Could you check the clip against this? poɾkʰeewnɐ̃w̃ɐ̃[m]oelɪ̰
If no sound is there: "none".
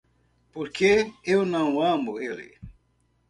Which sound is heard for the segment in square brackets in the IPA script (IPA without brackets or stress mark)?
m